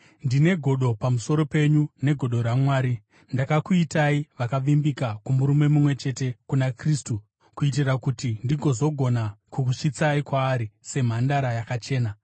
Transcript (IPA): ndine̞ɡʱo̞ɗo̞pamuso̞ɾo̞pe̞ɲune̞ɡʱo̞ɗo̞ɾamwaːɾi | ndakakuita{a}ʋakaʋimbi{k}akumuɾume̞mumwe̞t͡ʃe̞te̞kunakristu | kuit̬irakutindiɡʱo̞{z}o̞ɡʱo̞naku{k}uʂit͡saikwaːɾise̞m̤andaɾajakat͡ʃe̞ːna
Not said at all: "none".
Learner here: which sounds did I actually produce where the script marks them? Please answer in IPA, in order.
i, k, z, k

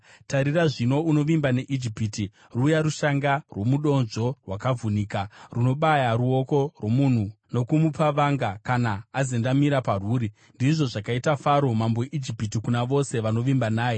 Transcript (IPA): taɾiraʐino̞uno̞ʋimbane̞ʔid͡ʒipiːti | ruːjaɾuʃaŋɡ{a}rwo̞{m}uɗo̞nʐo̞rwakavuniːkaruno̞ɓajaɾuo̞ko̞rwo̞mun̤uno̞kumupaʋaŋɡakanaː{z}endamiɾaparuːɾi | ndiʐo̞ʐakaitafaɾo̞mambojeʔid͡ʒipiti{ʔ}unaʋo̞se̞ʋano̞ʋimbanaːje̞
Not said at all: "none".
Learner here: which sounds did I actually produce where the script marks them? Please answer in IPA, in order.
a, m, z, k

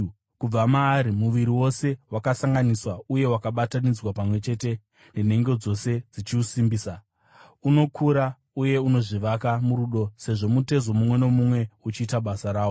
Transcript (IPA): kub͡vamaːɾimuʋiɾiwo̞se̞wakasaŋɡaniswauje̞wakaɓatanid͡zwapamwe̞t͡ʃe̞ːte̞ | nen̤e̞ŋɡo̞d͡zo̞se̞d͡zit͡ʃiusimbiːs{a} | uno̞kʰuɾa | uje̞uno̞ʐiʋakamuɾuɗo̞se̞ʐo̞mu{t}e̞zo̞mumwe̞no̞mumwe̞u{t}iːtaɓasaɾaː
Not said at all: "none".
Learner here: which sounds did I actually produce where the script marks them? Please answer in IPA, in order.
a, t, t͡ʃ

